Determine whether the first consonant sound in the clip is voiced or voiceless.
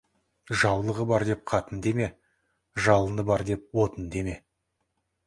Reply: voiced